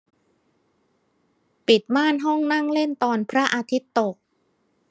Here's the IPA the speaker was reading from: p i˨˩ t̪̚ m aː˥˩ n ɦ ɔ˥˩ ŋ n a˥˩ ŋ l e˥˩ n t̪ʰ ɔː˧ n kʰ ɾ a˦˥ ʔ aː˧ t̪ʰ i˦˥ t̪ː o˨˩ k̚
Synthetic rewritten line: p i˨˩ t̪̚ m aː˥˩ n ɦ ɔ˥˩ ŋ n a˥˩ ŋ l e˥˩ n t̪ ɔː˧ n pʰ ɾ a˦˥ ʔ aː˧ t̪ʰ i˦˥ t̪ː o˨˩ k̚